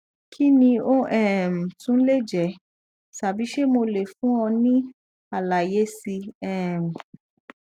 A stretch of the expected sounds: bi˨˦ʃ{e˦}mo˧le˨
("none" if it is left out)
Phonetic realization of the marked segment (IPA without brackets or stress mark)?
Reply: e˦